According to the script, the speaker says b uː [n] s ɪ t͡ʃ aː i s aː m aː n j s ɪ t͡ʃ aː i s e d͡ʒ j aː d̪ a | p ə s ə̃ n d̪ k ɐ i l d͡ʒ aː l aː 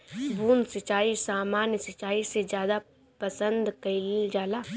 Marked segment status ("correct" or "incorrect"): correct